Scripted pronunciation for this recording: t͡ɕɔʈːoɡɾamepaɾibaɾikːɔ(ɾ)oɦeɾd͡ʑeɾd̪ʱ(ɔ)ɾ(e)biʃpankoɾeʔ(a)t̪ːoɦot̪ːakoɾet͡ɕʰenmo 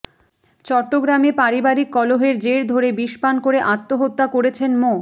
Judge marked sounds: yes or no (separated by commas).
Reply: no, no, yes, yes